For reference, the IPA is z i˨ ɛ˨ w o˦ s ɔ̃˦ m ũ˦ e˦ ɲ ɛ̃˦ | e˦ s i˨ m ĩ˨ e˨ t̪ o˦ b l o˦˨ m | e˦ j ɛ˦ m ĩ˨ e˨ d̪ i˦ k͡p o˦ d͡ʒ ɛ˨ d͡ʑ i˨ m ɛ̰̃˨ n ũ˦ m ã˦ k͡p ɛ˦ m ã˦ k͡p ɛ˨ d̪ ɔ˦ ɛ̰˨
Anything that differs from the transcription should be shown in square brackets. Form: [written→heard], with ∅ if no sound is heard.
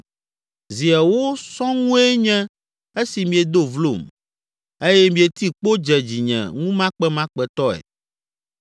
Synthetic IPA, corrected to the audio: z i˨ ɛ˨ w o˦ s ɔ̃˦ [m→ŋ] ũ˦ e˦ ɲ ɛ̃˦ | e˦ s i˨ m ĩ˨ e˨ [t̪→d̪] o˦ [b→v] l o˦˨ m | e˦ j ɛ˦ m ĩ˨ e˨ [d̪→t̪] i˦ k͡p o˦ d͡ʒ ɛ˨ d͡ʑ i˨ [m→ɲ] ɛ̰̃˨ [n→ŋ] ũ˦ m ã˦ k͡p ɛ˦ m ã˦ k͡p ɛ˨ [d̪→t̪] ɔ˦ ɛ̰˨